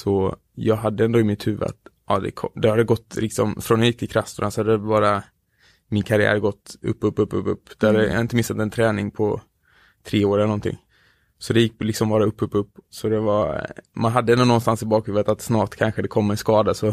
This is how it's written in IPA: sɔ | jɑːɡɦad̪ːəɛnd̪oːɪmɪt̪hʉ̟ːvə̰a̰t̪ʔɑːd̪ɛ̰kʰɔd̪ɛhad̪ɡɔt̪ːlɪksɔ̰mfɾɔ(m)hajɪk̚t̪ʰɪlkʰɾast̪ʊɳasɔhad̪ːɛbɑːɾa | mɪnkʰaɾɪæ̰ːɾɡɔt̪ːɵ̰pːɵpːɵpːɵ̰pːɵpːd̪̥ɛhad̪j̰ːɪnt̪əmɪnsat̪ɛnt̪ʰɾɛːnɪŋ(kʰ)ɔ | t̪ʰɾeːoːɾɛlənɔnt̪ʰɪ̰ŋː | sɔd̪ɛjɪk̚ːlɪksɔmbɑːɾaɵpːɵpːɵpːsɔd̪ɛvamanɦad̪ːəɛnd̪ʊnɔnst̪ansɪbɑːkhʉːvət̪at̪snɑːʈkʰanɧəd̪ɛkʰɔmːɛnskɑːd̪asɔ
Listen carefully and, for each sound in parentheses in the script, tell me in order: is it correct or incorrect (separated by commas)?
incorrect, incorrect